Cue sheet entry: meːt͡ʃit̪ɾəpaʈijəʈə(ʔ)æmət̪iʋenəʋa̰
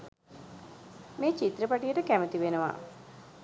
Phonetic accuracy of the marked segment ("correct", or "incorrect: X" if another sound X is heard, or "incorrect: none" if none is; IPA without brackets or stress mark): incorrect: k